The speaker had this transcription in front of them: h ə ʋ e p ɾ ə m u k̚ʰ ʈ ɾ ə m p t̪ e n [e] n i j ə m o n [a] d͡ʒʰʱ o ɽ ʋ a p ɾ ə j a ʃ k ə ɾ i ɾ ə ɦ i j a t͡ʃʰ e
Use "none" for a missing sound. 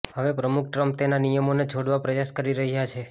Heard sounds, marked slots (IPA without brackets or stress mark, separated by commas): a, e